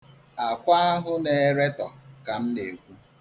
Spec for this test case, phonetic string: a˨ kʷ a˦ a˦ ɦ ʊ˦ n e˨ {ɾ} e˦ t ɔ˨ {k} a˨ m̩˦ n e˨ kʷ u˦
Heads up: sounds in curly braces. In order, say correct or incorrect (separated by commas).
correct, correct